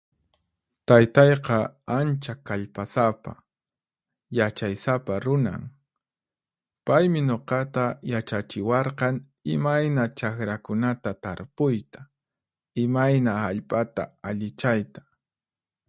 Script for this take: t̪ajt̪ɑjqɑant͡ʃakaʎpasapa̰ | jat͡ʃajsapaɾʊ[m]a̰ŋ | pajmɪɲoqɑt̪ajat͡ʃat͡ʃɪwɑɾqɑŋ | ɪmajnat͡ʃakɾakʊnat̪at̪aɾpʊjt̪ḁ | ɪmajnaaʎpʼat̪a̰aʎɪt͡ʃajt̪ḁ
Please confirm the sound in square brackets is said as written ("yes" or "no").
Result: no